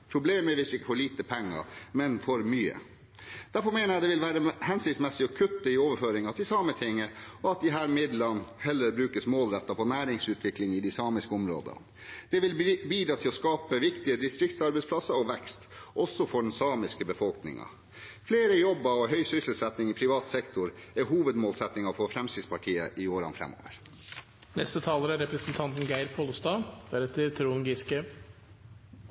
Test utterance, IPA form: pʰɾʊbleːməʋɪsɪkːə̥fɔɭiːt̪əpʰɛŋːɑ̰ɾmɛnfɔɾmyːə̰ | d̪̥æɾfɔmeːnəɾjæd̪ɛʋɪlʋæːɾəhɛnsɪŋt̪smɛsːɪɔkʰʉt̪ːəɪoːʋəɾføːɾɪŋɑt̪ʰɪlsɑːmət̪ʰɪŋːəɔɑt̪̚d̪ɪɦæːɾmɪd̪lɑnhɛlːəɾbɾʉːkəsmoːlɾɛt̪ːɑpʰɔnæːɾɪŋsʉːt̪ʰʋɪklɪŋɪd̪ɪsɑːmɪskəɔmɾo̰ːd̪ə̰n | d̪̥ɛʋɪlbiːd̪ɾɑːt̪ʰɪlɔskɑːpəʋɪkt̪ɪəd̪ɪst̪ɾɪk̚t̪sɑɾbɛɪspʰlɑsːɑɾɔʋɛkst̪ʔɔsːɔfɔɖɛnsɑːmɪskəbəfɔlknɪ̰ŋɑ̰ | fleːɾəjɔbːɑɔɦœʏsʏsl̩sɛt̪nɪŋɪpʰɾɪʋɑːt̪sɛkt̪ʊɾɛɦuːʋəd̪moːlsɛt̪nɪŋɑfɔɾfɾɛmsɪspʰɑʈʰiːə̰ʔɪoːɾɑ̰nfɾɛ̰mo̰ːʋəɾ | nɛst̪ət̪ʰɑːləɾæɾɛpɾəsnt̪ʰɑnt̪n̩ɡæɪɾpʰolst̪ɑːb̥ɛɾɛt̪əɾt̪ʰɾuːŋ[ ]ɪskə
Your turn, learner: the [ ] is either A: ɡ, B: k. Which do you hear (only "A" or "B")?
A